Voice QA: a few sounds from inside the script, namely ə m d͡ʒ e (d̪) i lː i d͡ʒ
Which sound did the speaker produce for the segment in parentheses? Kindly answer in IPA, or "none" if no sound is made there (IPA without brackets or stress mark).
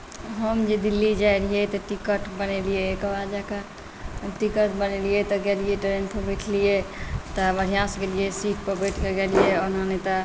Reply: d̪